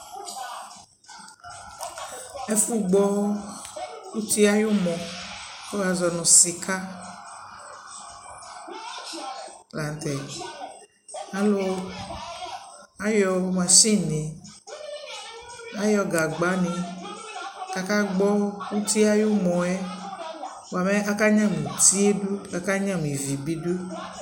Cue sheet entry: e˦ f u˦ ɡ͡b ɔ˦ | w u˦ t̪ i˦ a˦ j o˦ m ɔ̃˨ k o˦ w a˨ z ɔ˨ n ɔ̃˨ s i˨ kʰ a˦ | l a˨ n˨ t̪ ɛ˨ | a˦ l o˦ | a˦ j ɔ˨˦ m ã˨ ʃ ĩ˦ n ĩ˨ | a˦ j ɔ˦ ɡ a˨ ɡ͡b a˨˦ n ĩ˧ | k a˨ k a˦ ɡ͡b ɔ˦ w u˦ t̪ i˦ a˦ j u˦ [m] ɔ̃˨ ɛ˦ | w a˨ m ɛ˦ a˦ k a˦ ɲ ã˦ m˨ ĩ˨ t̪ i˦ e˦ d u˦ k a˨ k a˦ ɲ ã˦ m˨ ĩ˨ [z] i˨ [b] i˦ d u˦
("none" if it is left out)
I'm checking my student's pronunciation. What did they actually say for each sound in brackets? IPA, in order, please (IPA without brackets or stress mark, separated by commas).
m, v, b